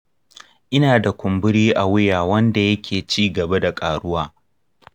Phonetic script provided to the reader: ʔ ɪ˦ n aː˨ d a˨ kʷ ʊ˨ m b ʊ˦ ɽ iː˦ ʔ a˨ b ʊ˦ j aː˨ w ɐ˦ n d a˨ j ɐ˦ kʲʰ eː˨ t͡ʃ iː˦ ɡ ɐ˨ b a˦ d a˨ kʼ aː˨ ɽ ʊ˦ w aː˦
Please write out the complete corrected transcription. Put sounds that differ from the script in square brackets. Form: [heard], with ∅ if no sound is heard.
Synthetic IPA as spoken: ʔ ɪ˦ n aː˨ d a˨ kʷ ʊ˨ m b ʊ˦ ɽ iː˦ ʔ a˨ [w] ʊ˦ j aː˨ w ɐ˦ n d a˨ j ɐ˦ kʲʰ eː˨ t͡ʃ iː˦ ɡ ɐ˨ b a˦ d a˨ kʼ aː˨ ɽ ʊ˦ w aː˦